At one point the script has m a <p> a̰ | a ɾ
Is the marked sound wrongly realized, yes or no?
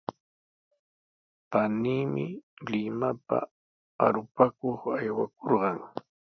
no